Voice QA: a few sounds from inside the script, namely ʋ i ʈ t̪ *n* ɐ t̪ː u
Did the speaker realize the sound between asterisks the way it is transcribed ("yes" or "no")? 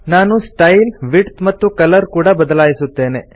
no